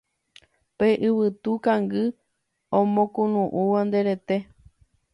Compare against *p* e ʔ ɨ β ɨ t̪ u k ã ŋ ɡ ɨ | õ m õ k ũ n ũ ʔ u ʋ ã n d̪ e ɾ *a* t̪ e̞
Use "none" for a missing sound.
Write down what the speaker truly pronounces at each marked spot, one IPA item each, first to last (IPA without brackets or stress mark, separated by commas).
p, e